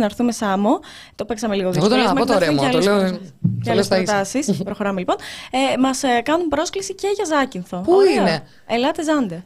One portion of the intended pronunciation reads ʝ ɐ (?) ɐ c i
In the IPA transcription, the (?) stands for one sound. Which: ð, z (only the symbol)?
z